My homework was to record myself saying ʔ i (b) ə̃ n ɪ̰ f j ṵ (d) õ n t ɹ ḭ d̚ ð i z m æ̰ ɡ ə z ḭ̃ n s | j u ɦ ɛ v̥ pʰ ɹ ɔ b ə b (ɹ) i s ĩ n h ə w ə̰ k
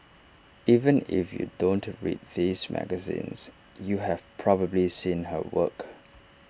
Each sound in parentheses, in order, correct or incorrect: incorrect: v, correct, incorrect: l

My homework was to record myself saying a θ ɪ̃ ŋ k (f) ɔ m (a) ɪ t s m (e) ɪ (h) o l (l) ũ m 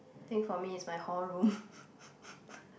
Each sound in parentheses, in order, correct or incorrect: correct, incorrect: i, incorrect: a, correct, incorrect: ɹ

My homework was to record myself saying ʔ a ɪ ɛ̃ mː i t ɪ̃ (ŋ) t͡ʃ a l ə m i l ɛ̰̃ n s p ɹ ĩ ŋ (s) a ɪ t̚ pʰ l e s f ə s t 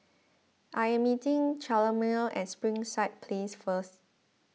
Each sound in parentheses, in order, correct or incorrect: correct, correct

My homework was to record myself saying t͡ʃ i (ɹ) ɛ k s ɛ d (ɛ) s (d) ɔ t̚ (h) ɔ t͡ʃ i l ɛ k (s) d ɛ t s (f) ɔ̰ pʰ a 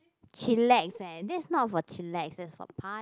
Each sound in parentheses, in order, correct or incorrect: incorrect: l, correct, incorrect: n, incorrect: f, correct, correct

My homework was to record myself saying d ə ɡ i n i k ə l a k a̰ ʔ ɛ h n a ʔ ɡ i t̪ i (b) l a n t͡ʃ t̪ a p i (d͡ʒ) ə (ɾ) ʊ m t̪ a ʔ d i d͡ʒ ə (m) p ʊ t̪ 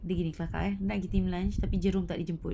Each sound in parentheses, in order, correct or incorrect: incorrect: m, correct, correct, correct

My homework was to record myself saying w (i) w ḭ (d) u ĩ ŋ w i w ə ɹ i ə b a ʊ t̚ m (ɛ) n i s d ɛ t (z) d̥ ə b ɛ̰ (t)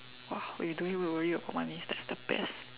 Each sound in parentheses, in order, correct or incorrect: incorrect: a, correct, incorrect: a, incorrect: s, incorrect: s

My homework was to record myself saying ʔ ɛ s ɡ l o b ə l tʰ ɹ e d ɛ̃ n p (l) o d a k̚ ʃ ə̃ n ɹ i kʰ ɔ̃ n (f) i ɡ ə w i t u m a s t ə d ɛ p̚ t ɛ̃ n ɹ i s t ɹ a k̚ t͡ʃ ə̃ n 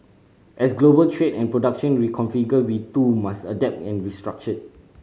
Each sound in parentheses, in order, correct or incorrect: incorrect: ɹ, correct

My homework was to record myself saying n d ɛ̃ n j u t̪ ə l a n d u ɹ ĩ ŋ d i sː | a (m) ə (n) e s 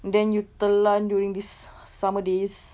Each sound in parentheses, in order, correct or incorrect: correct, incorrect: d

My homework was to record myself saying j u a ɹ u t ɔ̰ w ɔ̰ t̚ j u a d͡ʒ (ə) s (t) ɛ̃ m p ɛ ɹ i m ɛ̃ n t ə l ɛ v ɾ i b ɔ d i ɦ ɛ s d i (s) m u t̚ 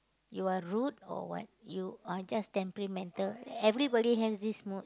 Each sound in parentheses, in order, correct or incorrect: incorrect: a, correct, correct

